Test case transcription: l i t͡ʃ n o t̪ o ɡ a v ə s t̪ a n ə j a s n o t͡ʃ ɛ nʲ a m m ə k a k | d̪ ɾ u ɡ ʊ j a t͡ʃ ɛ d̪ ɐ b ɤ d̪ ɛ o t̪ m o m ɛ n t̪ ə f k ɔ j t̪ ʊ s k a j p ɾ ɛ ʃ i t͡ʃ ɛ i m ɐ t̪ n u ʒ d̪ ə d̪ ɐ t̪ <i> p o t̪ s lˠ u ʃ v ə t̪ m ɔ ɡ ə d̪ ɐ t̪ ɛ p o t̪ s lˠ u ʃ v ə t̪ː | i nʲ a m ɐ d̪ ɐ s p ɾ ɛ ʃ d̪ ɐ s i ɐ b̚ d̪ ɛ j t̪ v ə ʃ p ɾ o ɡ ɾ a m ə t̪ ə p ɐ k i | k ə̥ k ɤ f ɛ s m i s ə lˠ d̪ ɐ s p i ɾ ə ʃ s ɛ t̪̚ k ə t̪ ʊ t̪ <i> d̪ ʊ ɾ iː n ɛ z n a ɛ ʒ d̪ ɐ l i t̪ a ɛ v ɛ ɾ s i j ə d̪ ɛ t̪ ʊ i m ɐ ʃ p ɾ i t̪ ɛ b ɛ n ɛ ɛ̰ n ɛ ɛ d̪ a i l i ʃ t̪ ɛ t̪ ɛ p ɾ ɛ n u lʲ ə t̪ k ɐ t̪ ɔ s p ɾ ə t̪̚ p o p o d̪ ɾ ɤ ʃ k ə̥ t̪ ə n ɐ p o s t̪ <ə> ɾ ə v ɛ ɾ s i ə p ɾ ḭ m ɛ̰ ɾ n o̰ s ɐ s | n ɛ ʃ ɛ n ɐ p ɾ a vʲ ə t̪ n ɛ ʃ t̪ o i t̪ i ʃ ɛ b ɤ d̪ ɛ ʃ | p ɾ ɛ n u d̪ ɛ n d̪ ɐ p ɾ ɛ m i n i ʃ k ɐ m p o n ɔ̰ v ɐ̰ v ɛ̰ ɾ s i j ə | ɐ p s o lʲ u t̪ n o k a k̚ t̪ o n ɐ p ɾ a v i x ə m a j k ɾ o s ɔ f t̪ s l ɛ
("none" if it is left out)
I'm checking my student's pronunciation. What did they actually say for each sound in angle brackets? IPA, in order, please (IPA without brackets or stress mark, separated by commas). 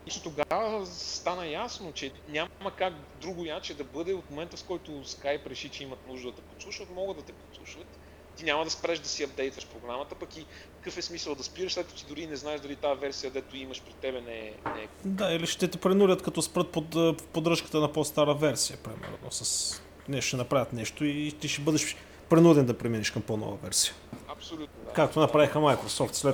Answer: ɛ, i, a